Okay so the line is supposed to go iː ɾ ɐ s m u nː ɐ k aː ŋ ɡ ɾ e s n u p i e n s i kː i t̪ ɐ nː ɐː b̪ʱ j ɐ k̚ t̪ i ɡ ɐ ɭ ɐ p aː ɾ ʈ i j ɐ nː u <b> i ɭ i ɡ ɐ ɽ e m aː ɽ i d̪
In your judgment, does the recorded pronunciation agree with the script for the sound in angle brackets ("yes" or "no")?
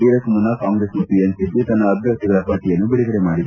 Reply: yes